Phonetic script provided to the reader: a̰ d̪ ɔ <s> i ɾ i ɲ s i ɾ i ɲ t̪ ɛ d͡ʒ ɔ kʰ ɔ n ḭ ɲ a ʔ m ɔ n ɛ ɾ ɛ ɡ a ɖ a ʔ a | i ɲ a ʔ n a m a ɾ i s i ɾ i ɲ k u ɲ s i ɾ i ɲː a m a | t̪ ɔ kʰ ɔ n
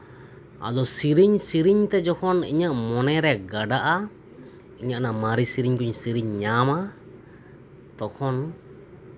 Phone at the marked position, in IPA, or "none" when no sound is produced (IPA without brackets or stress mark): s